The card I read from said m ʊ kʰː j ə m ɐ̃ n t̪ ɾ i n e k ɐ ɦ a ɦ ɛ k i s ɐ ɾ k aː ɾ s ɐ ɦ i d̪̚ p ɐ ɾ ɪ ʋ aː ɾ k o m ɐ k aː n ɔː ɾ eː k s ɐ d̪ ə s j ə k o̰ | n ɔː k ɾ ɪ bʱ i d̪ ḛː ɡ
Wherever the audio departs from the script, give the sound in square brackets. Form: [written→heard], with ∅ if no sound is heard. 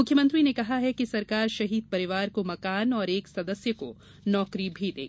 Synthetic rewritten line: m ʊ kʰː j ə m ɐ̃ n t̪ ɾ i n e k ɐ ɦ a ɦ ɛ k i s ɐ ɾ k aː ɾ [s→ʃ] ɐ ɦ [i→iː] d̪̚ p ɐ ɾ ɪ ʋ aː ɾ k o m ɐ k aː n ɔː ɾ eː k s ɐ d̪ ə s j ə k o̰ | n ɔː k ɾ [ɪ→i] bʱ i d̪ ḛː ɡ